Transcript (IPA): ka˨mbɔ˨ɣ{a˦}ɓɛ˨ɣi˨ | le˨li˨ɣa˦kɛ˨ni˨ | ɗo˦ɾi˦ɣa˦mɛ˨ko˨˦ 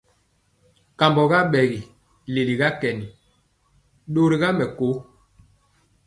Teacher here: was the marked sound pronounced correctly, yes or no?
yes